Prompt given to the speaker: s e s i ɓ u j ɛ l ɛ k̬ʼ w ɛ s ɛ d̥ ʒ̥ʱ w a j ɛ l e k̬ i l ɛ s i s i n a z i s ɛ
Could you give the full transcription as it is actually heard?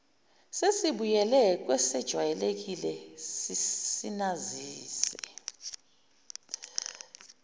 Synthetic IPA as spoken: s e s i ɓ u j ɛ l ɛ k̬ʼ w ɛ s ɛ d̥ ʒ̥ʱ w a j ɛ l e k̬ i l ɛ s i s i n a z iː s ɛ